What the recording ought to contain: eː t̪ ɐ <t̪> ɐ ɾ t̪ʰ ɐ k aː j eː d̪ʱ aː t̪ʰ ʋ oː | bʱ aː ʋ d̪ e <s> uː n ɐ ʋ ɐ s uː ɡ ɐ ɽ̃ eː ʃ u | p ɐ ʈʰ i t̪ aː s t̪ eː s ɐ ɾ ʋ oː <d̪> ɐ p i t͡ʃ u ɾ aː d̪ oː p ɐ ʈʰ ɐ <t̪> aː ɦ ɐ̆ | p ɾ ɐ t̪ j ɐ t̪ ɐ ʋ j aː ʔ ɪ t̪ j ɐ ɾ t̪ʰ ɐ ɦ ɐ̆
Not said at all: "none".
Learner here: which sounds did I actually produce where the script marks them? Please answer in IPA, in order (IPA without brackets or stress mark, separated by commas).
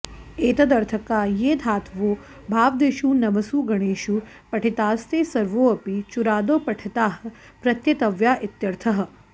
d̪, ʃ, none, t̪